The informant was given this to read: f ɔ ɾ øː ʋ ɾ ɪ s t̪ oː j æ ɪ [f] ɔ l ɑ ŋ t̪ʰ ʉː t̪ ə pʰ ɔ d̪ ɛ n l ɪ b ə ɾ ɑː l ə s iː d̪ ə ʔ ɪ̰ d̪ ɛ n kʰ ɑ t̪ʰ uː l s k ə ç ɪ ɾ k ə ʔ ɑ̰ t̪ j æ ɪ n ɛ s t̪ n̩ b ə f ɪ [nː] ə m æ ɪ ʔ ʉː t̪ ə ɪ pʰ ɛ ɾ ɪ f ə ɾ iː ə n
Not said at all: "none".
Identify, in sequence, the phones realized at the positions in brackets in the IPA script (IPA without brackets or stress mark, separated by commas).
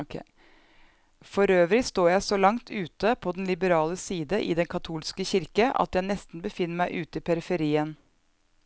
s, nː